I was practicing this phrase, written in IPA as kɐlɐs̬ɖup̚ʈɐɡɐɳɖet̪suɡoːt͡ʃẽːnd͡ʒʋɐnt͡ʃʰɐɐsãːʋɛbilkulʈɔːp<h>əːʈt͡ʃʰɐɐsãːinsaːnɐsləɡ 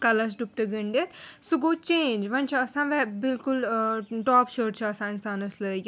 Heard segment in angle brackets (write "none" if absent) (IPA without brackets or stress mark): ʃ